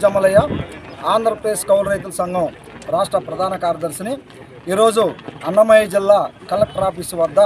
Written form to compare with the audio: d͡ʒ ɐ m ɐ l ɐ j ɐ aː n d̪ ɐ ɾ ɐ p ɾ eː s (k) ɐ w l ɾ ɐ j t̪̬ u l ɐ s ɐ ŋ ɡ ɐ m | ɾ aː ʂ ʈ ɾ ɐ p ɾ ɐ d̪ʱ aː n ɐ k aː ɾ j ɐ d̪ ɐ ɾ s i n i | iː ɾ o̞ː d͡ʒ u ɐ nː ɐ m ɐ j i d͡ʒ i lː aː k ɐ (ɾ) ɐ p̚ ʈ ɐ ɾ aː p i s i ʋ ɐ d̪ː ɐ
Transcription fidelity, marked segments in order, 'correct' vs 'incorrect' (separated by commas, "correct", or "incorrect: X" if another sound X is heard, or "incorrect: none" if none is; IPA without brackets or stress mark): correct, incorrect: l